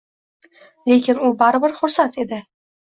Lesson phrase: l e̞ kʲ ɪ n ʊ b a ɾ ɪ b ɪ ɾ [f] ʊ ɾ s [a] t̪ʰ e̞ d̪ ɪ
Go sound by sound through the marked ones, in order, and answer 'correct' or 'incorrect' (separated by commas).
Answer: incorrect, correct